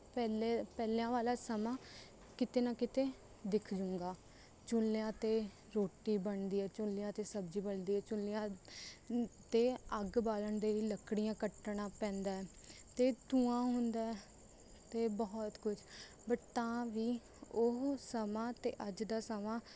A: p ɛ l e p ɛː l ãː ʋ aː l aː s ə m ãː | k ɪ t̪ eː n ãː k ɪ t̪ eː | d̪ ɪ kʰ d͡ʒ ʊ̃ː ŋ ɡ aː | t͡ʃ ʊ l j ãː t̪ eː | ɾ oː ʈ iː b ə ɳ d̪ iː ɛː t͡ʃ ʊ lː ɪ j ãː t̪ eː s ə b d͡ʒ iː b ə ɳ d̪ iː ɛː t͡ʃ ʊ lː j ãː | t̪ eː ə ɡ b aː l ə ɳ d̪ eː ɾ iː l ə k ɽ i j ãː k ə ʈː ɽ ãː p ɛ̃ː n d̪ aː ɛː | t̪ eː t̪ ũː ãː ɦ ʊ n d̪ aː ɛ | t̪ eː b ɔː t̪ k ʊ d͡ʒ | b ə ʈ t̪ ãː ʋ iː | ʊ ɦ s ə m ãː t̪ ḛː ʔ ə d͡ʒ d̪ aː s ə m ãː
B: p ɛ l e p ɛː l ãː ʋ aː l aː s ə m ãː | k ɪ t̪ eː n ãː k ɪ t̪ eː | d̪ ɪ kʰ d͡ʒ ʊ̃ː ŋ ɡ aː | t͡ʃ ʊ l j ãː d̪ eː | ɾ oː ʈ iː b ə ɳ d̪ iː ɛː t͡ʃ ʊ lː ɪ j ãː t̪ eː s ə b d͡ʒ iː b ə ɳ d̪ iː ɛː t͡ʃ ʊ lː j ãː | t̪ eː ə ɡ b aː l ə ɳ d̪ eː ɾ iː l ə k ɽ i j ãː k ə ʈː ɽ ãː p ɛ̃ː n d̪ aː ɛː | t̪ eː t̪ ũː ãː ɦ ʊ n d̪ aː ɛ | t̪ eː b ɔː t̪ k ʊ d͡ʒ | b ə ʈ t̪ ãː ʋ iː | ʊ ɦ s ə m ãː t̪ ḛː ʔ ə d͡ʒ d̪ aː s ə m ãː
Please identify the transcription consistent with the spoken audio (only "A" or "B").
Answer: A